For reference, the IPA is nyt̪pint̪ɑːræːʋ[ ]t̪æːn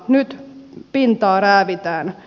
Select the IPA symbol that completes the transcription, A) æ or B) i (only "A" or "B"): B